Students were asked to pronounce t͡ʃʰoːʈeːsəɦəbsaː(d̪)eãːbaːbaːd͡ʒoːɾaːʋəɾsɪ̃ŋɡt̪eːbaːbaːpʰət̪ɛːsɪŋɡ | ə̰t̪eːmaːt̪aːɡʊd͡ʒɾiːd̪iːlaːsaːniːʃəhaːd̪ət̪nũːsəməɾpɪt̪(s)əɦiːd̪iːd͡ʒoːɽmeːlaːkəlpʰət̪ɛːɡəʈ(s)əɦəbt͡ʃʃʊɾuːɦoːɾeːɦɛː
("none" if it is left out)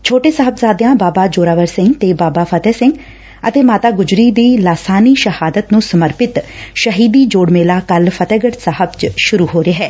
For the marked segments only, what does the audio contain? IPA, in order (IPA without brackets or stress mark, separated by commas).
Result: d̪, ʃ, s